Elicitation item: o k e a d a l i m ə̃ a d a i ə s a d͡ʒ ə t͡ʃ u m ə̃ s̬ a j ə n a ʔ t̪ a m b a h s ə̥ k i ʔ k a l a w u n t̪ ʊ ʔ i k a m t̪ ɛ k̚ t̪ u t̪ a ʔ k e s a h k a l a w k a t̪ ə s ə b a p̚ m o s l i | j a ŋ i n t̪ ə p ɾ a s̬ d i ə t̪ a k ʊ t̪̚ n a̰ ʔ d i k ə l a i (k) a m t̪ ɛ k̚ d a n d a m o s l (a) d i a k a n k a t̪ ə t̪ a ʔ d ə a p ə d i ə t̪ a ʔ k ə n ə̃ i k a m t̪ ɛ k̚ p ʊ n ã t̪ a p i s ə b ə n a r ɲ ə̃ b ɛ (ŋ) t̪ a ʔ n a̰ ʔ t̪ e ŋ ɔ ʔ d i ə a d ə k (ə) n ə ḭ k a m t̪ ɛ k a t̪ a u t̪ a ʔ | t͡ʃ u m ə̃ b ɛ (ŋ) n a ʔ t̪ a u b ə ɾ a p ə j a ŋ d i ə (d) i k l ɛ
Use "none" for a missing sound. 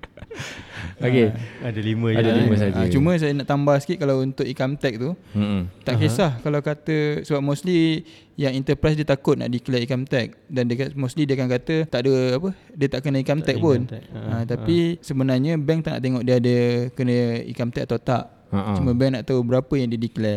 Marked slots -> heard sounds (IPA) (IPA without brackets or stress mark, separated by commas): k, i, ŋ, ə, ŋ, d